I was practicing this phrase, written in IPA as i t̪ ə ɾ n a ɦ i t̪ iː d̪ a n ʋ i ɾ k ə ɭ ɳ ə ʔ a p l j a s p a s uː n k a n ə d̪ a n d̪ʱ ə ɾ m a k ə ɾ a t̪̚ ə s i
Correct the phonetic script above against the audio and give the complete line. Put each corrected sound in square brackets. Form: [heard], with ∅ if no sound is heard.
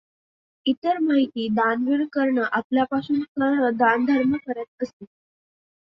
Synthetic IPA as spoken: i t̪ ə ɾ [m] a ɦ i t̪ iː d̪ a n ʋ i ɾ k ə [ɾ] ɳ ə ʔ a p l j a [∅] p a s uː n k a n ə d̪ a n d̪ʱ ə ɾ m [ə] k ə ɾ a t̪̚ ə s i

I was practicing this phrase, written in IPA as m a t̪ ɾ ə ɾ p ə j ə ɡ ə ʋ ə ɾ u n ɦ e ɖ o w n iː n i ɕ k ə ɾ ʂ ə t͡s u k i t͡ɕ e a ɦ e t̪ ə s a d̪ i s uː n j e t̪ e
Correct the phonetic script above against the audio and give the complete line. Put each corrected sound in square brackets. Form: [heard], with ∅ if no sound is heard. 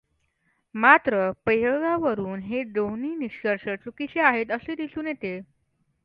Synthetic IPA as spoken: m a t̪ ɾ ə [∅] p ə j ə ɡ [a] ʋ ə ɾ [uː] n ɦ e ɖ o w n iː n i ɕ k ə ɾ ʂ ə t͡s u k i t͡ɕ e a ɦ e t̪ ə s [e] d̪ i s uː n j e t̪ e

